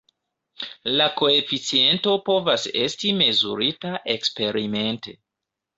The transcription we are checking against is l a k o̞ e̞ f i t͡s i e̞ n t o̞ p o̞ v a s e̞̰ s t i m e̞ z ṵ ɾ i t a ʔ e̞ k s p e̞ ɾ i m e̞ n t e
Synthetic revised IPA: l a k o̞ e̞ f i t͡s i e̞ n t o̞ p o̞ v a s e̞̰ s t i m e̞ z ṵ ɾ i t a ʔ e̞ k s p e̞ ɾ i m e̞ n t e